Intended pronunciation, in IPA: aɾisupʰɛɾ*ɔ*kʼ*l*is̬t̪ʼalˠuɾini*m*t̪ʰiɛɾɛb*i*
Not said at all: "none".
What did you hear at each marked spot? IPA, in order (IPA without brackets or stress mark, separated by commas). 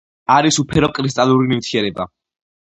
ɔ, ɾ, m, a